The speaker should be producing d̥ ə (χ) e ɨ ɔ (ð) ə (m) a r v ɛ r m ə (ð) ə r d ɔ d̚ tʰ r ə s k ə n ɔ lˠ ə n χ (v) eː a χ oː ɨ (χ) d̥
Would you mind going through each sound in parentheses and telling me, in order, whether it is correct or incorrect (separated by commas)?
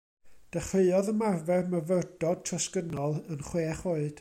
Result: correct, correct, correct, incorrect, incorrect, incorrect